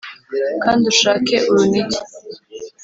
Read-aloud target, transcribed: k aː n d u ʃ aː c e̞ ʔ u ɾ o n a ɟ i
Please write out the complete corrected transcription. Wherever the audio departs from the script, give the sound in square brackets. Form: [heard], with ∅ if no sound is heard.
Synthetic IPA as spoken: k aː n d u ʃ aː [k] e̞ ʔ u ɾ [u] n [i] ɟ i